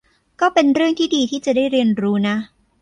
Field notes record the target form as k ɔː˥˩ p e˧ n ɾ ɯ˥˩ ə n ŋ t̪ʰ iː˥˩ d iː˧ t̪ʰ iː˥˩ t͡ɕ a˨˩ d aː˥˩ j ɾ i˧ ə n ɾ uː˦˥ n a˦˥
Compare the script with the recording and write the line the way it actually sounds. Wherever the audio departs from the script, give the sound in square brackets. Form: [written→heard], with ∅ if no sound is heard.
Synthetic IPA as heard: k ɔː˥˩ p e˧ n ɾ ɯ˥˩ ə [n→∅] ŋ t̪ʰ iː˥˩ d iː˧ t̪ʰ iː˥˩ t͡ɕ a˨˩ d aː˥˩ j ɾ i˧ ə n ɾ uː˦˥ n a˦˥